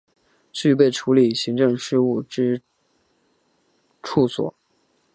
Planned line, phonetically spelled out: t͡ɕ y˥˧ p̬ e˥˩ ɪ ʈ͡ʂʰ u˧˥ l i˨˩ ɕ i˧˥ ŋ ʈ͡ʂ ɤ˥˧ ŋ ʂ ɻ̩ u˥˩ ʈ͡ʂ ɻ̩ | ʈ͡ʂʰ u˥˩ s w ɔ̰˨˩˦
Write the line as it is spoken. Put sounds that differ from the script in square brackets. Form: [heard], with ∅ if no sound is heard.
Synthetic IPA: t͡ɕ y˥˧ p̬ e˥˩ ɪ ʈ͡ʂʰ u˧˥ l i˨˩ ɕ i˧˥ ŋ ʈ͡ʂ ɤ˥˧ ŋ ʂ ɻ̩ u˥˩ ʈ͡ʂ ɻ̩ | ʈ͡ʂʰ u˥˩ s w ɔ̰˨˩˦